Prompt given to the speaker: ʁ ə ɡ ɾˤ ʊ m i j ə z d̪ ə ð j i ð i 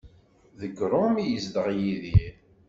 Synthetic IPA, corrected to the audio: ð ə ɡ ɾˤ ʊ m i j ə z d̪ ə ʁ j i ð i